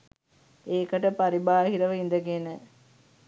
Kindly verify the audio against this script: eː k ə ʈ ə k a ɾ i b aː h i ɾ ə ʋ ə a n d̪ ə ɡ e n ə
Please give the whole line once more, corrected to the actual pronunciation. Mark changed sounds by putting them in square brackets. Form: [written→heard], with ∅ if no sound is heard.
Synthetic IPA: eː k ə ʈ ə [k→p] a ɾ i b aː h i ɾ ə ʋ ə [a→i] n d̪ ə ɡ e n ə